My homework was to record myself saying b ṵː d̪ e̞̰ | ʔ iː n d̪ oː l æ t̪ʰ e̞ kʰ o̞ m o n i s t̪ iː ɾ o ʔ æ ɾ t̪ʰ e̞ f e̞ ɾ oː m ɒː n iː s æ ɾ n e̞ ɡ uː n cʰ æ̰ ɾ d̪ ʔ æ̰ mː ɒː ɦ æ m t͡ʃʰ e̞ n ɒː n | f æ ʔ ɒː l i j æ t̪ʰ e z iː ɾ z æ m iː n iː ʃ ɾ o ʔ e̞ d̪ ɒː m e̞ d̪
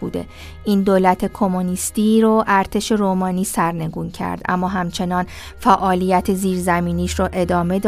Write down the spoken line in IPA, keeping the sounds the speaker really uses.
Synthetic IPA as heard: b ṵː d̪ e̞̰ | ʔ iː n d̪ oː l æ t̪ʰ e̞ kʰ o̞ m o n i s t̪ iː ɾ o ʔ æ ɾ t̪ʰ e̞ ʃ e̞ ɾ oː m ɒː n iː s æ ɾ n e̞ ɡ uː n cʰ æ̰ ɾ d̪ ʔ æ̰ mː ɒː ɦ æ m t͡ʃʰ e̞ n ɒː n | f æ ʔ ɒː l i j æ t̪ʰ e z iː ɾ z æ m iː n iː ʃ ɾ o ʔ e̞ d̪ ɒː m e̞ d̪